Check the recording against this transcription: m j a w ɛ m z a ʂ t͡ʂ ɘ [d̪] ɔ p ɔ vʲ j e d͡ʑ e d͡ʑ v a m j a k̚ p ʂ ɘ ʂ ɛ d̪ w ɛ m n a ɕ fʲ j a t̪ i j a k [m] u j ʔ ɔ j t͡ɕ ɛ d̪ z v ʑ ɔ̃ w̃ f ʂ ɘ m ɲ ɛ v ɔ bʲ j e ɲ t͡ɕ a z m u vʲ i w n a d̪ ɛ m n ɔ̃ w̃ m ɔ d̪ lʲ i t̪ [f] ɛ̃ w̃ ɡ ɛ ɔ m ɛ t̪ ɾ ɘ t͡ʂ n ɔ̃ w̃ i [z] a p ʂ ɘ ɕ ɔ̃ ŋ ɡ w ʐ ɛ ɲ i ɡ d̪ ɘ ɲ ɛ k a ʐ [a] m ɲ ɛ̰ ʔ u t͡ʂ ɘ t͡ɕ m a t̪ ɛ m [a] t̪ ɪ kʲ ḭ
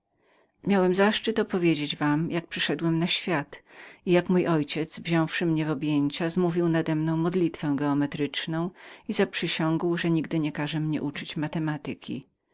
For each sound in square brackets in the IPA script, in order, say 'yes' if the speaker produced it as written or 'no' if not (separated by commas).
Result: no, yes, yes, yes, no, yes